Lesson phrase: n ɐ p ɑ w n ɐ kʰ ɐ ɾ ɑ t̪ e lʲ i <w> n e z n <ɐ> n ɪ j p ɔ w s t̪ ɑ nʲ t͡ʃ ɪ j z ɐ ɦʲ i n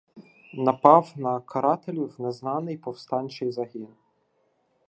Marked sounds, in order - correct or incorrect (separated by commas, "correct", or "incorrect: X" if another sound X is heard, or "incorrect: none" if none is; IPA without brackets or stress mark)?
correct, incorrect: ɑ